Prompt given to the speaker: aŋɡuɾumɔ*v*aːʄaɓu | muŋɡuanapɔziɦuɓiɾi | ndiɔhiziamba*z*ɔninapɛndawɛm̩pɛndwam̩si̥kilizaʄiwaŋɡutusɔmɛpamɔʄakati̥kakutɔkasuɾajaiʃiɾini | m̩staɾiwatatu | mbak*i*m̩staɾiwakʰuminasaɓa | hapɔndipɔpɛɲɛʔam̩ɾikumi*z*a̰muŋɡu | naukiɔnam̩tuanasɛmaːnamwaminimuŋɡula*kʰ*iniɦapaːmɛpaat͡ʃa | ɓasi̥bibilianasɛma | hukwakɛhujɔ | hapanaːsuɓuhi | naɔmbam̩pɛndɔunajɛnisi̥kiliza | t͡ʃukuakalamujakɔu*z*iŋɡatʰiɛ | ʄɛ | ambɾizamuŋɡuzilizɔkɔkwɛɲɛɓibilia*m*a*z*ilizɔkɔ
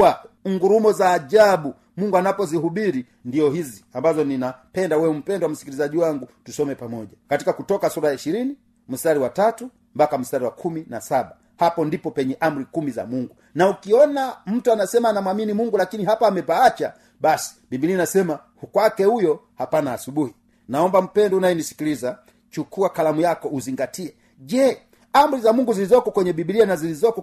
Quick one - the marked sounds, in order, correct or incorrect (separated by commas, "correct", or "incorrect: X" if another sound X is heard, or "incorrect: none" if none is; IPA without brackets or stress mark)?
incorrect: z, correct, incorrect: a, correct, incorrect: k, correct, incorrect: n, correct